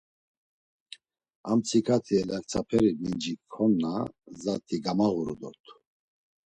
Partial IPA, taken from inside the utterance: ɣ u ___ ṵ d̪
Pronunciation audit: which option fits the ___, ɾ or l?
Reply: ɾ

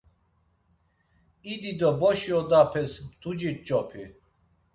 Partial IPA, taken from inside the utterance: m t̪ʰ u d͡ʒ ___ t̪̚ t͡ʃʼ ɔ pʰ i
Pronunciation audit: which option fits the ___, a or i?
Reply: i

